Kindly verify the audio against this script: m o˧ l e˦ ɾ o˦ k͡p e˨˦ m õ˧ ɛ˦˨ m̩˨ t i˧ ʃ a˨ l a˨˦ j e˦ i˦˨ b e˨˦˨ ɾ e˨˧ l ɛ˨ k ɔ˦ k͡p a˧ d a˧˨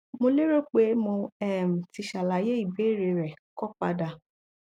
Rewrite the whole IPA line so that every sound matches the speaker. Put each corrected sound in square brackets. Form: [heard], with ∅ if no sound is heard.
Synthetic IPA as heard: m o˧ l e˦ ɾ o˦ k͡p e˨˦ m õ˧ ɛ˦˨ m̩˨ t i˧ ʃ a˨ l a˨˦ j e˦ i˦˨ b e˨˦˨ ɾ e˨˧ [ɾ] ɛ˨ k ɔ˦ k͡p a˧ d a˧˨